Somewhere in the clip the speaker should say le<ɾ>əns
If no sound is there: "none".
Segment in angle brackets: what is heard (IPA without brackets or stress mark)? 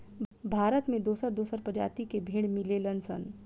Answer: l